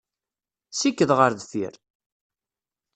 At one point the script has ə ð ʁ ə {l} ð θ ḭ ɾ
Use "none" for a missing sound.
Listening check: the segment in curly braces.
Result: ɾ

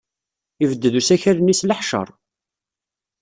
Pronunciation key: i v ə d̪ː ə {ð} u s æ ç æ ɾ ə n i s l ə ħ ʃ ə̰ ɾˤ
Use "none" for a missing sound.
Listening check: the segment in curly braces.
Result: ð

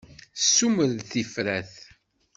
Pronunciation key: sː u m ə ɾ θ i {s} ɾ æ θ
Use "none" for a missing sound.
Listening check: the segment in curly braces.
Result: f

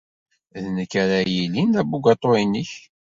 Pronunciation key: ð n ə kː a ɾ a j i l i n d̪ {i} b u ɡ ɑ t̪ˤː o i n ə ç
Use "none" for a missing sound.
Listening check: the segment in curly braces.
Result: æ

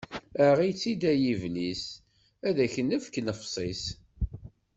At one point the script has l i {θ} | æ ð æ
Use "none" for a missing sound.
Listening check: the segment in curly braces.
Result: s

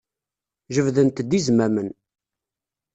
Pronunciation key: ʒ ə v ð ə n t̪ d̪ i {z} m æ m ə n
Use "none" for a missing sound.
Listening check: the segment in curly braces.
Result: z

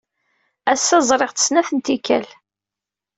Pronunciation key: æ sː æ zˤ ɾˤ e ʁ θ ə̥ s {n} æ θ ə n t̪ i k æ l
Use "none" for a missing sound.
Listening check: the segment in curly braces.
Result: n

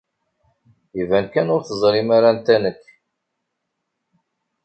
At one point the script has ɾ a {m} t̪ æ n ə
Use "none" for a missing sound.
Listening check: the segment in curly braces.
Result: n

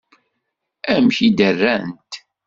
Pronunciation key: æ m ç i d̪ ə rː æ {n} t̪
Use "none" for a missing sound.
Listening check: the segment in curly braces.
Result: n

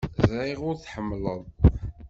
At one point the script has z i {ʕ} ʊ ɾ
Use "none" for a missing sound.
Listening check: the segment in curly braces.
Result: ʁ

